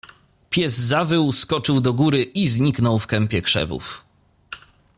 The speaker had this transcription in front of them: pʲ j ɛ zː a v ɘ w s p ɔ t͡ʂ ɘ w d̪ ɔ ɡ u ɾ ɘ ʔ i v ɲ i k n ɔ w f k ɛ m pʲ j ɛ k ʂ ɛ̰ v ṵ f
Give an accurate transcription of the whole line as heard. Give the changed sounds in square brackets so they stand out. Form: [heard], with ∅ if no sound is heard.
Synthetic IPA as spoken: pʲ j ɛ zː a v ɘ w s [k] ɔ t͡ʂ ɘ w d̪ ɔ ɡ u ɾ ɘ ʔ i [z] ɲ i k n ɔ w f k ɛ m pʲ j ɛ k ʂ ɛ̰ v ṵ f